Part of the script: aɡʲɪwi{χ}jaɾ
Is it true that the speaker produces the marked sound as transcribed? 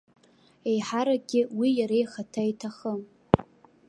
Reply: no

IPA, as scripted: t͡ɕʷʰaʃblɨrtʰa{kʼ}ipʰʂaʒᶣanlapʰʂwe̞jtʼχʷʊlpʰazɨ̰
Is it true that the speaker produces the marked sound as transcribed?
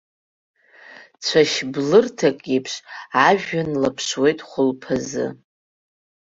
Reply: yes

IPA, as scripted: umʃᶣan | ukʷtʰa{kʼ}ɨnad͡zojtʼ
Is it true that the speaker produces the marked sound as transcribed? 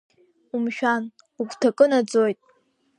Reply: yes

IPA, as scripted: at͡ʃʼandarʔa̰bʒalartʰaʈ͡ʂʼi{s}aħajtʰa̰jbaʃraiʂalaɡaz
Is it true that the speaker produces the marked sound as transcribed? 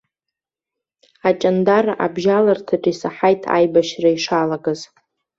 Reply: yes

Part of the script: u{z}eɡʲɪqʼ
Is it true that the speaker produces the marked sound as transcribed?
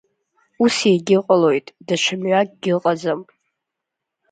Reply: no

